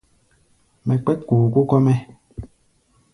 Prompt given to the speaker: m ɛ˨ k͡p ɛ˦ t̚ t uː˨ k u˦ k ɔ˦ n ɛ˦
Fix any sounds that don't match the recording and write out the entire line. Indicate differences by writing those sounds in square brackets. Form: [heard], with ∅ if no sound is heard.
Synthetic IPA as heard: m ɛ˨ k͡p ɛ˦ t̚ [k] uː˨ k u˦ k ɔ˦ [m] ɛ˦